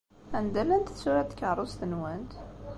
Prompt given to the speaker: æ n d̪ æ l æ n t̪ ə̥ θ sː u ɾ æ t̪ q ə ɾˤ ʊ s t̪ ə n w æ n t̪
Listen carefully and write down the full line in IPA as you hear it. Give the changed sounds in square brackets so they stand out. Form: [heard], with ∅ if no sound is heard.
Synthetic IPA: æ n d̪ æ l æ n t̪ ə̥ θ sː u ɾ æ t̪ [k] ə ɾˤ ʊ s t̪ ə n w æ n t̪